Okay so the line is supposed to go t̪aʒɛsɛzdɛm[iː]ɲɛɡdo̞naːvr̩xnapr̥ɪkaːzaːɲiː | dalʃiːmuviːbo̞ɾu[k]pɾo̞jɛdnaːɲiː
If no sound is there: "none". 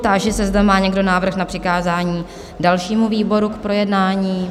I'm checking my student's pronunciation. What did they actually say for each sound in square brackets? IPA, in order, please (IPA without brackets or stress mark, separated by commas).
aː, k